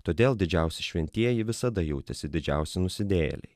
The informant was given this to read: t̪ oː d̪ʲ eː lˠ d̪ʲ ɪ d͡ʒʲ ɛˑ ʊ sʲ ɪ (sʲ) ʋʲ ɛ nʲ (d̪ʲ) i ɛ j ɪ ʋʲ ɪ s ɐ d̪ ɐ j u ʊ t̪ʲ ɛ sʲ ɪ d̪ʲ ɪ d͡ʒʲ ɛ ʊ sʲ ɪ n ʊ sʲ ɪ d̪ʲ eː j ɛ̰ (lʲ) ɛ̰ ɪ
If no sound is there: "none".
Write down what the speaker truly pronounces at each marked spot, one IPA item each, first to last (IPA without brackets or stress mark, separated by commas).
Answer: ʃʲ, t̪ʲ, lʲ